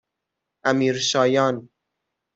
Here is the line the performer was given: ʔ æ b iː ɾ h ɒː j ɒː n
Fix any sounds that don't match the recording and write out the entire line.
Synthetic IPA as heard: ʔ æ m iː ɾ ʃ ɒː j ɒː n